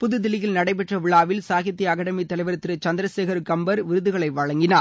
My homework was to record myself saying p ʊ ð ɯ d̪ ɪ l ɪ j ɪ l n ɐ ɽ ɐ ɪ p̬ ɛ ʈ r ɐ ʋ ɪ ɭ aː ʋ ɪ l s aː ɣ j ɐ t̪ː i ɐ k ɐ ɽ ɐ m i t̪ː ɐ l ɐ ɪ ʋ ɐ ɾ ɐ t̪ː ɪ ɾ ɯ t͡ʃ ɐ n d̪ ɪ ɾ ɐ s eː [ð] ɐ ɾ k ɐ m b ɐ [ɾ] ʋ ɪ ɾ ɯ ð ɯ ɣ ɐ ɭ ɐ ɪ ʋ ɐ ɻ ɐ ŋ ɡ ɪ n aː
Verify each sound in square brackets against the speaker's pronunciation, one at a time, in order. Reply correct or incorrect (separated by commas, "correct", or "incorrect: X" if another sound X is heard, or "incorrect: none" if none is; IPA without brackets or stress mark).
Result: incorrect: ɣ, correct